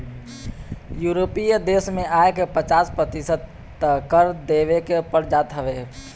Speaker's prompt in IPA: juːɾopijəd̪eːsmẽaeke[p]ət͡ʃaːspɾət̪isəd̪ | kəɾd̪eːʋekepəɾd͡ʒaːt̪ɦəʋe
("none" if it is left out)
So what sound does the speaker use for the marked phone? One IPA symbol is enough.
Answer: p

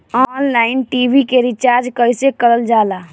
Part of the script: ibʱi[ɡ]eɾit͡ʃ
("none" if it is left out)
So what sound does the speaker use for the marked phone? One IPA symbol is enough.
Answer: k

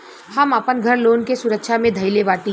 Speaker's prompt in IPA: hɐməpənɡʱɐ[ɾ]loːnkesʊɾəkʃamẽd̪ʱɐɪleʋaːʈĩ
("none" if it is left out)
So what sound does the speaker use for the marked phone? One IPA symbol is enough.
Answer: ɾ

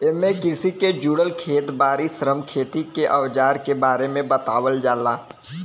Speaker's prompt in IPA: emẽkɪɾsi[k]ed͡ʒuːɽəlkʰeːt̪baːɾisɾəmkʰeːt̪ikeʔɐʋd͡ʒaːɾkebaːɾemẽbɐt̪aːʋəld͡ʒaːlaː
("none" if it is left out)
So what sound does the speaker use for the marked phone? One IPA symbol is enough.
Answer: k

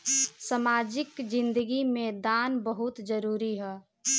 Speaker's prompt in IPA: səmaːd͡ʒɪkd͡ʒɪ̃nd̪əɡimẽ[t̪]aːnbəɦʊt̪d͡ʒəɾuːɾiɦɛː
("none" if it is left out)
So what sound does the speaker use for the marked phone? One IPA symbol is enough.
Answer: d̪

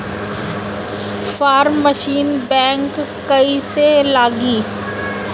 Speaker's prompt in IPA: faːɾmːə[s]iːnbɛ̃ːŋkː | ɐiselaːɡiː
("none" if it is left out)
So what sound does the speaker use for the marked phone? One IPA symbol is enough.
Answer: ʃ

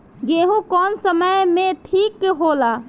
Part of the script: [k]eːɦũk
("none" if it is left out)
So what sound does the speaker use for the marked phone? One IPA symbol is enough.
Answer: ɡ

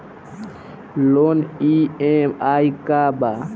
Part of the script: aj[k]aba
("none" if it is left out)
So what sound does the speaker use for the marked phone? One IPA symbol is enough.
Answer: k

